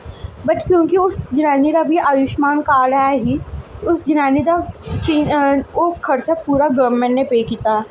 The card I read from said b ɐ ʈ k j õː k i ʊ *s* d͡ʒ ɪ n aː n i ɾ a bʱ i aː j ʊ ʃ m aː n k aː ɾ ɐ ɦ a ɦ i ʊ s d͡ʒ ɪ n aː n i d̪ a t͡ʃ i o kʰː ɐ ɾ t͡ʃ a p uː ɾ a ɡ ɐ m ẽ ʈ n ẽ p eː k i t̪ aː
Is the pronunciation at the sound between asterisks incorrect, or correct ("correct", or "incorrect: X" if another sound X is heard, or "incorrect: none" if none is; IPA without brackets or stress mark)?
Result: correct